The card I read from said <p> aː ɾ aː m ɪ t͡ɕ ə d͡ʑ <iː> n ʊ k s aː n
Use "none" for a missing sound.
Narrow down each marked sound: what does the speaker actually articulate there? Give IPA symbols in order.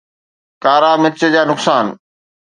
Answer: k, aː

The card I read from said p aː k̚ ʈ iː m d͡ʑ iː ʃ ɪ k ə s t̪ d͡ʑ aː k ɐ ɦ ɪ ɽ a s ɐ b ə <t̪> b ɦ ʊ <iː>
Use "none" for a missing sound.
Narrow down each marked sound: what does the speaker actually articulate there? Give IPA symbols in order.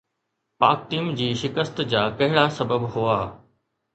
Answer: none, aː

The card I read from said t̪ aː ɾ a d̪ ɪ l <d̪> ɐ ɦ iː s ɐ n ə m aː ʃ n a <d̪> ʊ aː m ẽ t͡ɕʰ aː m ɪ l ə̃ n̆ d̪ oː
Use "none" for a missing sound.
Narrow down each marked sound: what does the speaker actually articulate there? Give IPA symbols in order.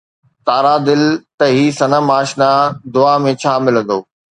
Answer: t̪, d̪

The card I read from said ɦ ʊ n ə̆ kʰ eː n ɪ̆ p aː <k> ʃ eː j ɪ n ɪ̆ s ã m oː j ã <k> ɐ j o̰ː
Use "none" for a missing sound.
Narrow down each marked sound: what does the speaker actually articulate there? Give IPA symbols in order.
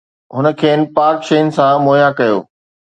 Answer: k, k

